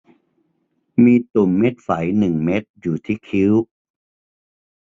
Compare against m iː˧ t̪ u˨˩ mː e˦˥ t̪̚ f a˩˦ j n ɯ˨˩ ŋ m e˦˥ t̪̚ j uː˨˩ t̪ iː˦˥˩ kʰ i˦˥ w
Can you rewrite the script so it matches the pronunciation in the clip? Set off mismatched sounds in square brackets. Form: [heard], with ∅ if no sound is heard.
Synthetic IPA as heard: m iː˧ t̪ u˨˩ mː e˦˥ t̪̚ f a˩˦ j n ɯ˨˩ ŋ m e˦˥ t̪̚ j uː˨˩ [t̪ʰ] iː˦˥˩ kʰ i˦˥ w